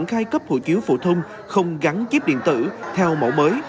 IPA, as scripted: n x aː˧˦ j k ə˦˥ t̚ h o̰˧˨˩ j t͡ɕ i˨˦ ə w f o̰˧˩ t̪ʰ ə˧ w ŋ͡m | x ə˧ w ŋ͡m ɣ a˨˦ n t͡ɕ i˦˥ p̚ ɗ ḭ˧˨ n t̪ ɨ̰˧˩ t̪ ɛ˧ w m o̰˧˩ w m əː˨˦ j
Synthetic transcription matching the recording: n x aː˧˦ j k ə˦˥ p̚ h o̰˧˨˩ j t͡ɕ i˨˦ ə w f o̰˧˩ t̪ʰ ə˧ w ŋ͡m | x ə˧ w ŋ͡m ɣ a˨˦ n t͡ɕ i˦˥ p̚ ɗ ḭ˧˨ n t̪ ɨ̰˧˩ t̪ʰ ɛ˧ w m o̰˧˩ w m əː˨˦ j